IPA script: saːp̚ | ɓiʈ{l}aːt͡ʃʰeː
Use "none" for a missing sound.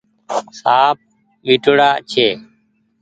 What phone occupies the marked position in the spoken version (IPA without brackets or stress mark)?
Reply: ɽ